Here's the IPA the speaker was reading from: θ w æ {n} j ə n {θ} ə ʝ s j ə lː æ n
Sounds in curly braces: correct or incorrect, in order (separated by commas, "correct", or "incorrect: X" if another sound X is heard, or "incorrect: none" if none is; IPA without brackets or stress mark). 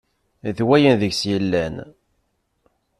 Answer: incorrect: none, incorrect: ð